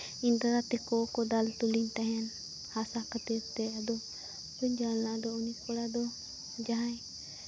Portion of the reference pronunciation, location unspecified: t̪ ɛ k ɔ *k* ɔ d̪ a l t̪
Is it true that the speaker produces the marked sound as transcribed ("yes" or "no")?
yes